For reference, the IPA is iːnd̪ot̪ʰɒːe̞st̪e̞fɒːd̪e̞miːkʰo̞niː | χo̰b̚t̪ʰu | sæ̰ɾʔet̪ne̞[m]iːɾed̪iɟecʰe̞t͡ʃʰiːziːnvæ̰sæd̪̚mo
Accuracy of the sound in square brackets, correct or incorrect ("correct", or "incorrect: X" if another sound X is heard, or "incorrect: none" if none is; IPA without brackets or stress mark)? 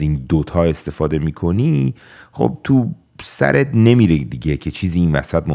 correct